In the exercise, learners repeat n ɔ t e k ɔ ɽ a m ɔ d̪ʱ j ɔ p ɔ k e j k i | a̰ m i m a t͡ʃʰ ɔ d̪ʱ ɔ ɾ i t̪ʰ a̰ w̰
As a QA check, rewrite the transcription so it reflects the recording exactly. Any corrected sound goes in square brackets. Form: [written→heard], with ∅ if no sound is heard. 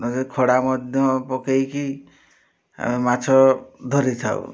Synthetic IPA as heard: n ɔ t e [k→kʰ] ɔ ɽ a m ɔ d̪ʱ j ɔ p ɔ k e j k i | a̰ m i m a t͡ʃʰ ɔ d̪ʱ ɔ ɾ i t̪ʰ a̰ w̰